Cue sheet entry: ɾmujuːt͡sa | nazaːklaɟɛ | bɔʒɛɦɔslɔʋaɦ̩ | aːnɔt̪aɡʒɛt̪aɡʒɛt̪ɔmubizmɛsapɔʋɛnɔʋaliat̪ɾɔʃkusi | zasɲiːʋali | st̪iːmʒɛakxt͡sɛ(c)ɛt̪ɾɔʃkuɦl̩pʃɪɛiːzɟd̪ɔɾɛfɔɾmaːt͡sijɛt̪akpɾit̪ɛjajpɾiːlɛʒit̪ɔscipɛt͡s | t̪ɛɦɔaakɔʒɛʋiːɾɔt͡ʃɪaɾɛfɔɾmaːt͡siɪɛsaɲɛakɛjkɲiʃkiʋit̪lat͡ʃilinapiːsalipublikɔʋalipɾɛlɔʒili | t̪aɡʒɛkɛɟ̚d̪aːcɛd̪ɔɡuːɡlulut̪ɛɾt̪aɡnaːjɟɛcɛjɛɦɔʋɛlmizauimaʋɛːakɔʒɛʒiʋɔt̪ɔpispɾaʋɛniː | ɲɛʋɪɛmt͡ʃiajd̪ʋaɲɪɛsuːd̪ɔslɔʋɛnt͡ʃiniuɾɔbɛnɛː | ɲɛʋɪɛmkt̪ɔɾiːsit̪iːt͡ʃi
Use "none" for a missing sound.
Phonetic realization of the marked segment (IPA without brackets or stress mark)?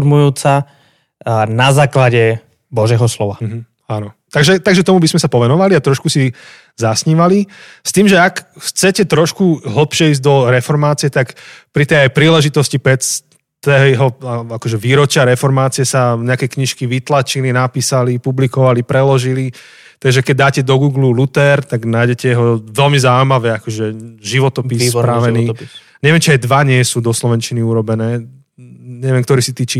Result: c